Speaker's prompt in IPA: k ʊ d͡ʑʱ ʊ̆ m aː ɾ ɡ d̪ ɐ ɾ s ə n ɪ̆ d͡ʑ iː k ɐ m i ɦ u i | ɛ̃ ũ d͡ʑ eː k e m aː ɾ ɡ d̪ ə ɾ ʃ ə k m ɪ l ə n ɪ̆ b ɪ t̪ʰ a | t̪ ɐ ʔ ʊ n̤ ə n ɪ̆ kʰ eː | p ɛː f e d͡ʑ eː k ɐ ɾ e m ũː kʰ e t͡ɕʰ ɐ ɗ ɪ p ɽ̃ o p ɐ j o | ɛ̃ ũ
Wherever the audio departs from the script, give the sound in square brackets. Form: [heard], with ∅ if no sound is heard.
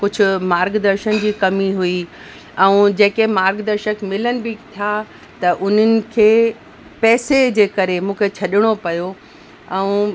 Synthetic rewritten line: k ʊ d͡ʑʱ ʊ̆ m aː ɾ ɡ d̪ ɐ ɾ [ʃ] ə n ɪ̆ d͡ʑ iː k ɐ m i ɦ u i | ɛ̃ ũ d͡ʑ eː k e m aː ɾ ɡ d̪ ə ɾ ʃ ə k m ɪ l ə n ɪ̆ b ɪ t̪ʰ a | t̪ ɐ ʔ ʊ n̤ ə n ɪ̆ kʰ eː | p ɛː [s] e d͡ʑ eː k ɐ ɾ e m ũː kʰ e t͡ɕʰ ɐ ɗ ɪ [∅] ɽ̃ o p ɐ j o | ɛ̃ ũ